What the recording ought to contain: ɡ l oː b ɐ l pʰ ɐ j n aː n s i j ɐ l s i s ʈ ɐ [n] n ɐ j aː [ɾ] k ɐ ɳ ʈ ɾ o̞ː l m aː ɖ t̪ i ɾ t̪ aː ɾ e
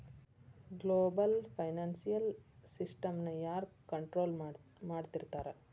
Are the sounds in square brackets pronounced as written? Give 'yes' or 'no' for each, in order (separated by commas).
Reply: no, yes